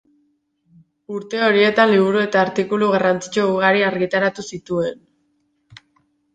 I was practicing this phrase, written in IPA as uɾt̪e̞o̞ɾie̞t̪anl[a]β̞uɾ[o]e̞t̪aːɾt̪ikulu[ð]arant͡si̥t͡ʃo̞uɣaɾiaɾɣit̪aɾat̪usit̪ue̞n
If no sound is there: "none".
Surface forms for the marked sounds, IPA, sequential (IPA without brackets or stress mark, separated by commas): i, u, ɣ